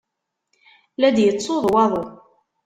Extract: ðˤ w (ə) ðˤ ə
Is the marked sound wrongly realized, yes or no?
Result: yes